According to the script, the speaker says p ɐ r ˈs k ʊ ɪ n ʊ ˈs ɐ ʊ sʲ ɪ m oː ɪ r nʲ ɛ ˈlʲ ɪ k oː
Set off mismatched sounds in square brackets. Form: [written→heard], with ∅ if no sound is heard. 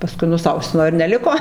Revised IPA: p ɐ [r→∅] ˈs k ʊ ɪ n ʊ ˈs ɐ ʊ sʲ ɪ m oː ɪ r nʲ ɛ ˈlʲ ɪ k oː